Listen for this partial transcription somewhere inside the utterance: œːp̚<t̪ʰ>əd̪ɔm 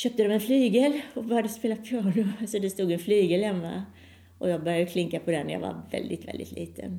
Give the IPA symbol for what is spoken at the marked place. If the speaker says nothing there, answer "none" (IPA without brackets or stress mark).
t̪